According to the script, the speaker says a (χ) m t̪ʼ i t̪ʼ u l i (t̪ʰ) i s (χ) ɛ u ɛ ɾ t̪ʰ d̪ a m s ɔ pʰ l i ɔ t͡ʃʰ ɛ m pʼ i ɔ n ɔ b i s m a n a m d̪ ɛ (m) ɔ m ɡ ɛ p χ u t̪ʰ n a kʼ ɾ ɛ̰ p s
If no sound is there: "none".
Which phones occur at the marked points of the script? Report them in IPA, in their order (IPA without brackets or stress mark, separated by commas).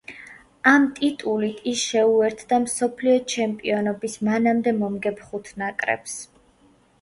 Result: none, t̪ʰ, ʃ, m